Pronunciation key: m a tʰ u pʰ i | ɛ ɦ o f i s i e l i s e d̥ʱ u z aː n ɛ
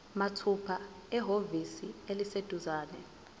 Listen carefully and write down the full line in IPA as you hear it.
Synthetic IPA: m a tʰ u pʰ a | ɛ ɦ o v i s i e l i s e d̥ʱ u z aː n ɛ